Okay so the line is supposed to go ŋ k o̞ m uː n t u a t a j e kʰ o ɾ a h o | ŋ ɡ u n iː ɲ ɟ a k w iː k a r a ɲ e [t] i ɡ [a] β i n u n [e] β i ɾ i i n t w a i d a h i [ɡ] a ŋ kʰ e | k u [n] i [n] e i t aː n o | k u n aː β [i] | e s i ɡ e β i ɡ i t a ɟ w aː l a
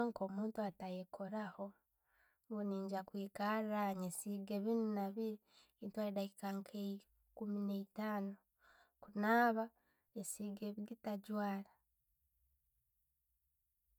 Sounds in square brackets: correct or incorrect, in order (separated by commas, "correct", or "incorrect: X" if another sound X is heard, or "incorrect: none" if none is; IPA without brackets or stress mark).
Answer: incorrect: s, incorrect: e, incorrect: a, incorrect: k, incorrect: m, correct, incorrect: a